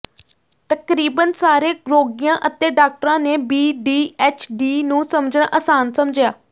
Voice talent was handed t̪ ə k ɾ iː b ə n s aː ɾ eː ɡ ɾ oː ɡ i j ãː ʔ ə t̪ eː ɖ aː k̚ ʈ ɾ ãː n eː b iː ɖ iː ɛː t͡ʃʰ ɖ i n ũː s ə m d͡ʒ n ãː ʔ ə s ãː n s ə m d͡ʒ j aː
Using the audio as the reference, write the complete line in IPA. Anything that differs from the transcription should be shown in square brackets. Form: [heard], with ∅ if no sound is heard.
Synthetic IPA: t̪ ə k ɾ iː b ə n s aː ɾ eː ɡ ɾ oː ɡ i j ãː ʔ ə t̪ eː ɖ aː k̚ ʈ ɾ ãː n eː b iː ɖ iː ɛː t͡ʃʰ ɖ [iː] n ũː s ə m d͡ʒ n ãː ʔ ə s [aː] n s ə m d͡ʒ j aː